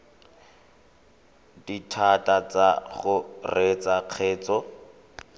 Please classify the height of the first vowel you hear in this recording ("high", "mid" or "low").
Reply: high